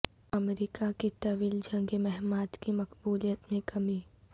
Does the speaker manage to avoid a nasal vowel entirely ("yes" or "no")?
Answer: no